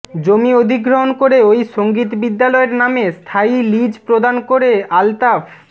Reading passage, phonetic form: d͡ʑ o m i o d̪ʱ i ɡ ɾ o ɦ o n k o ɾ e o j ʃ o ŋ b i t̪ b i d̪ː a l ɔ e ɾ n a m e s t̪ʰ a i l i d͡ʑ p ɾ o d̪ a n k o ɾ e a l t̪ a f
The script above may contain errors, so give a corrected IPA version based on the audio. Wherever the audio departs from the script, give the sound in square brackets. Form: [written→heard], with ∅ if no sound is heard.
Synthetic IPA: d͡ʑ o m i o d̪ʱ i ɡ ɾ o ɦ o n k o ɾ e o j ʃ o ŋ [b→ɡ] i t̪ b i d̪ː a l ɔ e ɾ n a m e s t̪ʰ a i l i d͡ʑ p ɾ o d̪ a n k o ɾ e a l t̪ a f